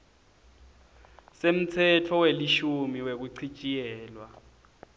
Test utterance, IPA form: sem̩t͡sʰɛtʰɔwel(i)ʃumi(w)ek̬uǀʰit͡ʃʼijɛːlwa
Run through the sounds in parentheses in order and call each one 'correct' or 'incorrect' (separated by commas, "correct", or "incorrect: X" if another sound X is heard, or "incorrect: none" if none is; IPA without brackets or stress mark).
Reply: correct, correct